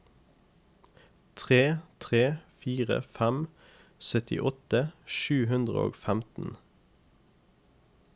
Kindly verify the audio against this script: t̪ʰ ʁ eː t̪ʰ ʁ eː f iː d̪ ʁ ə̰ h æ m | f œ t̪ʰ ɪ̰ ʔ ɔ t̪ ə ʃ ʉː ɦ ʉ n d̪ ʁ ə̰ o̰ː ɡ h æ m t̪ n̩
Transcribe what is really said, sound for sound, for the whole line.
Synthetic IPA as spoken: t̪ʰ ʁ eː t̪ʰ ʁ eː f iː ʁ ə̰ f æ m | s œ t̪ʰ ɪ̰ ʔ ɔ t̪ ə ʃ ʉː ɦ ʉ n d̪ ʁ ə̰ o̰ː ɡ f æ m t̪ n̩

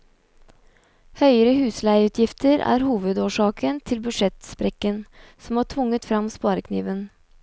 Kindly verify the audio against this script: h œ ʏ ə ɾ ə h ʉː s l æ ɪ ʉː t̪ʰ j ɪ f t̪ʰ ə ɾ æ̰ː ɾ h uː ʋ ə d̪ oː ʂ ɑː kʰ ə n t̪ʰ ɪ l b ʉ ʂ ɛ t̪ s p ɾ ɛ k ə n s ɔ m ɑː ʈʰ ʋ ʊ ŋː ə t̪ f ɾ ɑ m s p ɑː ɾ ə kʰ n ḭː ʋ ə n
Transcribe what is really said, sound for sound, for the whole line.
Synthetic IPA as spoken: h œ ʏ ə ɾ ə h ʉː s l æ ɪ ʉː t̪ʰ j ɪ f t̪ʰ ə ɾ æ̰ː ɾ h uː ʋ ə d̪ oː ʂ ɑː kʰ ə n t̪ʰ ɪ l b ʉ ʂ ɛ t̪ s p ɾ ɛ k ə n s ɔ m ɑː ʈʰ ʋ ʊ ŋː ə t̪ f ɾ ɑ m s p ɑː ɾ ə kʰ n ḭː ʋ ə n

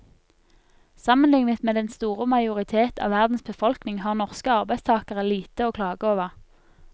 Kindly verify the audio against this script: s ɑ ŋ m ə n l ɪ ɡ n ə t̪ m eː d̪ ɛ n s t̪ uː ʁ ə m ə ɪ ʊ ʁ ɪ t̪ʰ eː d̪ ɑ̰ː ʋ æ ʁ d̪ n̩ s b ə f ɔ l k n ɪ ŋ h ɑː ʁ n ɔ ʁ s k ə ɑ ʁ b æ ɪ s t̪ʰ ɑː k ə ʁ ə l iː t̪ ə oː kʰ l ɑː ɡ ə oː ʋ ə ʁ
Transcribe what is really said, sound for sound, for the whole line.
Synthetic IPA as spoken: s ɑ m ə n l ɪ ŋ n ə t̪ m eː d̪ ɛ n s t̪ uː ʁ ə m ɑ ɪ ʊ ʁ ɪ t̪ʰ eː t̪ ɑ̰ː ʋ æ ʁ d̪ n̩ s b ə f ɔ l k n ɪ ŋ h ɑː ʁ n ɔ ʁ s k ə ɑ ʁ b æ ɪ s t̪ʰ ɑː k ə ʁ ə l iː t̪ ə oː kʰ l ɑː ɡ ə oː ʋ ə ʁ

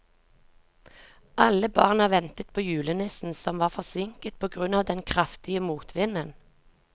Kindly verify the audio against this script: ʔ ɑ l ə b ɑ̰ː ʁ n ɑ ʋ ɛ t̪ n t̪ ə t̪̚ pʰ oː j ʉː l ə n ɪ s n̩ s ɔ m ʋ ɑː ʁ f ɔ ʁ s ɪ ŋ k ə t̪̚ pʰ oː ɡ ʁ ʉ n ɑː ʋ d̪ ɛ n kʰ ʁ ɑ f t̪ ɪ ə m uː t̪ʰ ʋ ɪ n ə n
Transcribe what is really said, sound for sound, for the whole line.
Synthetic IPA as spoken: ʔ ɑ l ə b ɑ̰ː ʁ n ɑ ʋ ɛ n t̪ ə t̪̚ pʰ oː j ʉː l ə n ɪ s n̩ s ɔ m ʋ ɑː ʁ f ɔ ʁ s ɪ ŋ k ə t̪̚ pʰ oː ɡ ʁ ʉ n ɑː ʋ d̪ ɛ n kʰ ʁ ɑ f t̪ ɪ ə m uː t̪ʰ ʋ ɪ n ə n

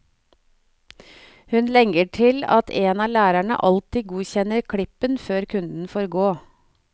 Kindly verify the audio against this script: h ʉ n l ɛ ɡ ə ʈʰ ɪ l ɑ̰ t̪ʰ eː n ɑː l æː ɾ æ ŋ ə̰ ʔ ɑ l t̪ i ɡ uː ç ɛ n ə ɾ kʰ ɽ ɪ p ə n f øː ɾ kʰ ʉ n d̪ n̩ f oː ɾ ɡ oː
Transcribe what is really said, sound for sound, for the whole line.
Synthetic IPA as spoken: h ʉ n l ɛ ŋ ə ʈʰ ɪ l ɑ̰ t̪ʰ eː n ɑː l æː ɾ æ ɳ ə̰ ʔ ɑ l t̪ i ɡ uː ç ɛ n ə ɾ kʰ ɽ ɪ p ə n f øː ɾ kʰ ʉ n d̪ n̩ f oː ɾ ɡ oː

